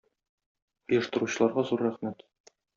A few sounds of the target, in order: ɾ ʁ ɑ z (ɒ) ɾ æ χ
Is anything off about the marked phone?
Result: yes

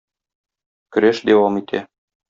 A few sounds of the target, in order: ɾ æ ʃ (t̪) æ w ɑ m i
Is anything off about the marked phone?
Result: yes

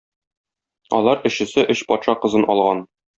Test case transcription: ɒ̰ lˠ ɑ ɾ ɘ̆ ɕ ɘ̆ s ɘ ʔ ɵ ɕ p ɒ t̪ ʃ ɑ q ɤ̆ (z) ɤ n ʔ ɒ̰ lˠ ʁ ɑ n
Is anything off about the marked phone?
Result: no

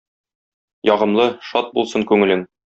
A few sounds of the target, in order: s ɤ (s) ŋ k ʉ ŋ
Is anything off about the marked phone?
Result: yes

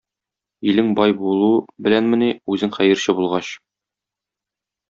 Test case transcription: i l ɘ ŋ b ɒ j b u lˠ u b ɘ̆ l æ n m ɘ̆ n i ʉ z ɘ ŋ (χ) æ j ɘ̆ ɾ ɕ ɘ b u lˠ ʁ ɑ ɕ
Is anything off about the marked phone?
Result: no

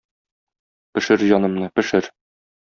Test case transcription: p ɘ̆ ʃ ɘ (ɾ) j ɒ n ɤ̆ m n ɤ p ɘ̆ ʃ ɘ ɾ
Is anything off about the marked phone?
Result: no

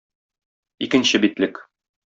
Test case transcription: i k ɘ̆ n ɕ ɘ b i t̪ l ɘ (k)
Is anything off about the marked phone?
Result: no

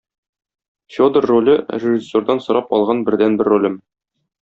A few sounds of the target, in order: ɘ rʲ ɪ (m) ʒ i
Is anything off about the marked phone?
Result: yes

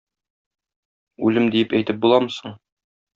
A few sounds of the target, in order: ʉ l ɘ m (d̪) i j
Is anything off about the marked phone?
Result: no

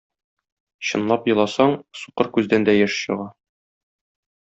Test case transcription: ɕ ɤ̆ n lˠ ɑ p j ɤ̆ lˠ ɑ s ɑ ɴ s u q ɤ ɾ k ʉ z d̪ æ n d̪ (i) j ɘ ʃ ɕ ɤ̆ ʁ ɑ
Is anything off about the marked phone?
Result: yes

